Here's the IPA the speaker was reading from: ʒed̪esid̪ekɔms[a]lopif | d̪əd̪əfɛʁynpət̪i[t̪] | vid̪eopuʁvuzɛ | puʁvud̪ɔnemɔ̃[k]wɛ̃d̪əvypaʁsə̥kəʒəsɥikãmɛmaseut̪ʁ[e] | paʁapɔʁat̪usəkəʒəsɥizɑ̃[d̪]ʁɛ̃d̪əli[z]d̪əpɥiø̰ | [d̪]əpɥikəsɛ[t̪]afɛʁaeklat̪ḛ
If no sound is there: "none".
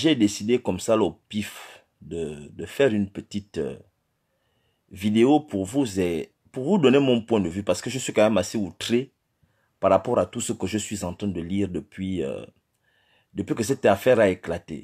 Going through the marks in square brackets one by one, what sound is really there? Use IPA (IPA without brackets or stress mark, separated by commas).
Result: a, t̪, p, e, t̪, ʁ, d̪, t̪